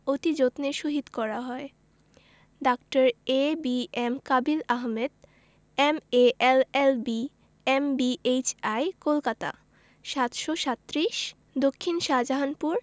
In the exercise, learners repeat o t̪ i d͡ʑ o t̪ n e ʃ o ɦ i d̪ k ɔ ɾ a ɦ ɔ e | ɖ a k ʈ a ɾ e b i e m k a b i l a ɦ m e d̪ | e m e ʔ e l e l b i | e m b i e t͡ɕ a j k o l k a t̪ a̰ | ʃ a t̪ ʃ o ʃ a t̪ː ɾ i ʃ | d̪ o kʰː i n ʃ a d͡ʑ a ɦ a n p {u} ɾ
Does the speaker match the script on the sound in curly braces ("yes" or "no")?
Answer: yes